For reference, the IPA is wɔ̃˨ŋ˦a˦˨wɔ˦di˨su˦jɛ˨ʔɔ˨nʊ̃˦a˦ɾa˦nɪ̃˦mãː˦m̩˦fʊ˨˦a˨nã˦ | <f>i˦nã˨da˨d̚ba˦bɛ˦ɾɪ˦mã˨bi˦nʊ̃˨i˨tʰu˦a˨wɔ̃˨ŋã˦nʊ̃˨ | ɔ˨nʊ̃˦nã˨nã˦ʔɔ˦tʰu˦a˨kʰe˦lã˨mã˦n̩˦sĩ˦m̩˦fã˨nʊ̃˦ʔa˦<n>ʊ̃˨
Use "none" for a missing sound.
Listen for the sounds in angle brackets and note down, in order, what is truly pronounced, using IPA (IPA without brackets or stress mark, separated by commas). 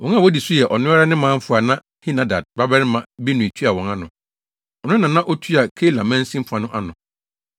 h, n